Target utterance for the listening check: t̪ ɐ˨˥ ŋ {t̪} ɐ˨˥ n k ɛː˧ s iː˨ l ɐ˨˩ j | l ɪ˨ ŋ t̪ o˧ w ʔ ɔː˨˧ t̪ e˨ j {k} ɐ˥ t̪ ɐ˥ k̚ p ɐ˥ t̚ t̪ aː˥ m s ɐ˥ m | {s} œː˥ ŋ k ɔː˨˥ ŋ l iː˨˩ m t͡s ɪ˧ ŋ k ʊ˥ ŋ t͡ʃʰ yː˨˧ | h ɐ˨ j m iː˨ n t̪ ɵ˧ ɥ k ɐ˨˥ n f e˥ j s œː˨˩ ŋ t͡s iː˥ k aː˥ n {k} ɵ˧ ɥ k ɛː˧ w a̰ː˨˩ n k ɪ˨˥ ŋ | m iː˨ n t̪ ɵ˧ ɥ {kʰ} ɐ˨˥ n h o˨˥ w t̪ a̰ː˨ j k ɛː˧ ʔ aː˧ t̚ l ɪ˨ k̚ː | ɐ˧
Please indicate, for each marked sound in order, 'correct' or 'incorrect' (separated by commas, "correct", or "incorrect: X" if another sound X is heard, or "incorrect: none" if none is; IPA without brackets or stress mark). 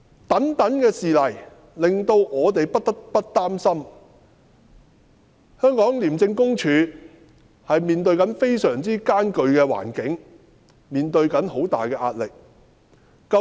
correct, incorrect: p, incorrect: h, correct, incorrect: k